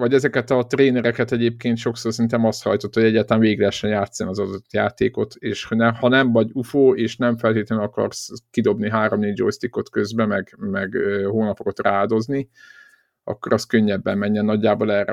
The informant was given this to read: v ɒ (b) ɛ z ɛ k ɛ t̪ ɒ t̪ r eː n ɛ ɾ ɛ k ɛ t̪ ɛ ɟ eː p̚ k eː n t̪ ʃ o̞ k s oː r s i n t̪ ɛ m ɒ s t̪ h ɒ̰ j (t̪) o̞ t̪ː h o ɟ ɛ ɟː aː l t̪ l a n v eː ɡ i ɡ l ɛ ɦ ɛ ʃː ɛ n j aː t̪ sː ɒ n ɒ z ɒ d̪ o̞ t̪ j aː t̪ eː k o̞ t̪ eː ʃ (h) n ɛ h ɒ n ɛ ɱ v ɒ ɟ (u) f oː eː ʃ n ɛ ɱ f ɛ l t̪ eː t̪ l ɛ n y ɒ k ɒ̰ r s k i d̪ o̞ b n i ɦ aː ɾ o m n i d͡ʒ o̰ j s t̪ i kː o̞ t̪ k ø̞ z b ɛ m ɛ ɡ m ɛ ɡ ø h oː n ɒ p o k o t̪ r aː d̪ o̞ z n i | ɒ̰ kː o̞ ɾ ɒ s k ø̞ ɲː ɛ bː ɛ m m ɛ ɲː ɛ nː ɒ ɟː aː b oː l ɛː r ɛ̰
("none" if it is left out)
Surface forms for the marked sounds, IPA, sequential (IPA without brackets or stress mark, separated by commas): ɟ, t̪, h, u